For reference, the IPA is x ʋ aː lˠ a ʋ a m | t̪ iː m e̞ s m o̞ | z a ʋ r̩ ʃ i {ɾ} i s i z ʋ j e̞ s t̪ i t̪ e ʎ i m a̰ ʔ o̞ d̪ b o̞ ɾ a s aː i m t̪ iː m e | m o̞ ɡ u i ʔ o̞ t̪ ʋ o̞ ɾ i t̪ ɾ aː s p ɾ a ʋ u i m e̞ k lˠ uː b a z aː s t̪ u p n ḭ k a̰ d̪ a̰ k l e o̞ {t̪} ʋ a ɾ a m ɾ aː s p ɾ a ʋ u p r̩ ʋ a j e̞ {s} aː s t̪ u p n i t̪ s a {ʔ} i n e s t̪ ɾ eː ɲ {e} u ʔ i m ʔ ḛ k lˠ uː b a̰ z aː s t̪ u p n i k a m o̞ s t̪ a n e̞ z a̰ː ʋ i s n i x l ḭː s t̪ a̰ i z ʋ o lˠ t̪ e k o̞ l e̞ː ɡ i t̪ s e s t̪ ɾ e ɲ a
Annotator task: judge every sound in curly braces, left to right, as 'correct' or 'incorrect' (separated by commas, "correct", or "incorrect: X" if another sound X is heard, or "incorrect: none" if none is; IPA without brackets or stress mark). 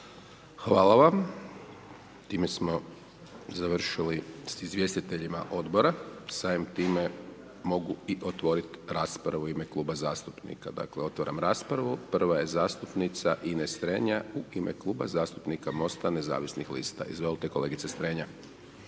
incorrect: l, correct, incorrect: z, correct, incorrect: a